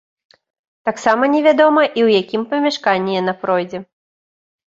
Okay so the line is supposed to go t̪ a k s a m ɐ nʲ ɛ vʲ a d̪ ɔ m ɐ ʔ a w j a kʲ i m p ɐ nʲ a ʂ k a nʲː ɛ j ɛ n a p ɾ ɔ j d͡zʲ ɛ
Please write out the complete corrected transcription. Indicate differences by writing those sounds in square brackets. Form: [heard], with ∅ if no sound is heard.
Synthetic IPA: t̪ a k s a m ɐ nʲ ɛ vʲ a d̪ ɔ m ɐ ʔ [i] w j a kʲ i m p ɐ [mʲ] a ʂ k a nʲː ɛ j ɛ n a p ɾ ɔ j d͡zʲ ɛ